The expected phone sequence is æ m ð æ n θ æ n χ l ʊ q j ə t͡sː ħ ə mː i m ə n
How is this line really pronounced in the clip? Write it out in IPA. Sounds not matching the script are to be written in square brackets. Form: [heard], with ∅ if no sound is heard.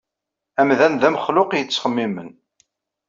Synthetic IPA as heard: æ m ð æ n [ð] æ [m] χ l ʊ q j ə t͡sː [χ] ə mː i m ə n